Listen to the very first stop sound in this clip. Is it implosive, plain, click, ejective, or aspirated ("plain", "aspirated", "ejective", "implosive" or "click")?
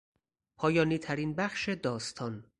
aspirated